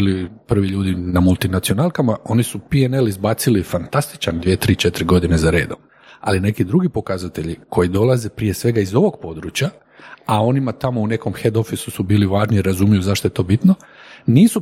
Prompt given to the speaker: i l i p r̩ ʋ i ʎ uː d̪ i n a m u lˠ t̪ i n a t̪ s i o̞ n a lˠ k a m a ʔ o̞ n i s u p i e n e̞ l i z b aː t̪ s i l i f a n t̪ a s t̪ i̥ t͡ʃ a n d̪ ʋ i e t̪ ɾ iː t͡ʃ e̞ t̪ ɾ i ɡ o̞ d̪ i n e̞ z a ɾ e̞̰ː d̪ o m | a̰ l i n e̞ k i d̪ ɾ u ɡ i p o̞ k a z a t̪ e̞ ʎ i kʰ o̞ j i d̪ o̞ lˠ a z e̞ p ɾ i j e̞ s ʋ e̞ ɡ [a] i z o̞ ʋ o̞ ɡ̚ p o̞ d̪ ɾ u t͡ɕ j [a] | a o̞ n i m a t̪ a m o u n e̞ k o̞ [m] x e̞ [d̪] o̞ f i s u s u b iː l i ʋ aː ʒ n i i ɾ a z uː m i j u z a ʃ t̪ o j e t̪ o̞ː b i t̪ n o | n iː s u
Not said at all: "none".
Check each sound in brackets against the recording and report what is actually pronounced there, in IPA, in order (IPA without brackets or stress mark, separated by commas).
a, a, m, d̪